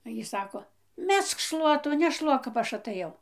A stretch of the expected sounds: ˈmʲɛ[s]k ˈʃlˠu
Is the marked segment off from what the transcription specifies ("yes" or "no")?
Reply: no